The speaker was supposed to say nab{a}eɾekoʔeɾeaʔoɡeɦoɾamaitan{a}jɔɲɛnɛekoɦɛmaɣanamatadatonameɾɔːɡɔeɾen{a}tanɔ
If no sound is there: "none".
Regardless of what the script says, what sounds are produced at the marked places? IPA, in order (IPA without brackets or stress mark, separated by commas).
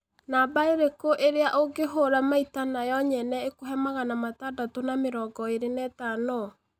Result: a, a, ɛ